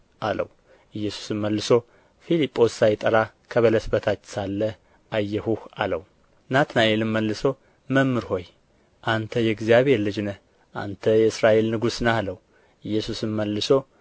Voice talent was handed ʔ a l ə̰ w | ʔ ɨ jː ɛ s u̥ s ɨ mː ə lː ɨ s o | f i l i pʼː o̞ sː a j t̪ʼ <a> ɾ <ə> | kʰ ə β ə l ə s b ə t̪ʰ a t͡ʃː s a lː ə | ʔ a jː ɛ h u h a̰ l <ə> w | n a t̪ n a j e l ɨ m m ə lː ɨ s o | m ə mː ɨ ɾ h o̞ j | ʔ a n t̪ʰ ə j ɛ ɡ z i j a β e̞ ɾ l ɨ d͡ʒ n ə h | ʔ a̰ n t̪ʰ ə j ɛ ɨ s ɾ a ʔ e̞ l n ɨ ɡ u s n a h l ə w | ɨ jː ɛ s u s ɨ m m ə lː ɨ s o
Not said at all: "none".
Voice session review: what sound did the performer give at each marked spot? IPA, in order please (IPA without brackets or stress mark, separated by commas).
ə, a, ə